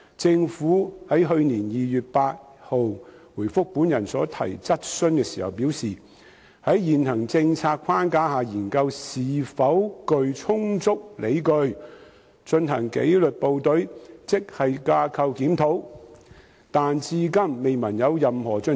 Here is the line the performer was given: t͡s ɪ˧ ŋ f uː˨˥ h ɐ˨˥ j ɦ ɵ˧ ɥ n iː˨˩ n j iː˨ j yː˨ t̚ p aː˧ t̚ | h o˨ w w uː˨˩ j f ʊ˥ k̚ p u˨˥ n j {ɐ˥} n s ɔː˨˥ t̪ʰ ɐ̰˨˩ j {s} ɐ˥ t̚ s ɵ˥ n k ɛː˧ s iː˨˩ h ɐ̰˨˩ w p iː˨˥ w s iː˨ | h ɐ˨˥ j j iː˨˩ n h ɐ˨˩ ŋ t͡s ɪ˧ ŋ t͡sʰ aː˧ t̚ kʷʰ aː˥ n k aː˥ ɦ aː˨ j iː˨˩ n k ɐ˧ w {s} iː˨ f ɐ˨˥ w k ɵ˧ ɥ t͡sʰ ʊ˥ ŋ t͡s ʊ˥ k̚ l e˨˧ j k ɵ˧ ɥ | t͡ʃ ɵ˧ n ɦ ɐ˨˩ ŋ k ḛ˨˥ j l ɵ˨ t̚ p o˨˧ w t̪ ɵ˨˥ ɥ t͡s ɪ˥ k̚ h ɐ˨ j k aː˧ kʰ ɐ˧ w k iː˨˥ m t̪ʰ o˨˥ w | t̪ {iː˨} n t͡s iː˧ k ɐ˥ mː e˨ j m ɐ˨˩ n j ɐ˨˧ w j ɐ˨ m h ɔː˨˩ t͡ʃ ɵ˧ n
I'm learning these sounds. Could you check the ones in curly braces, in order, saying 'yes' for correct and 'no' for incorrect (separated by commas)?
no, no, yes, no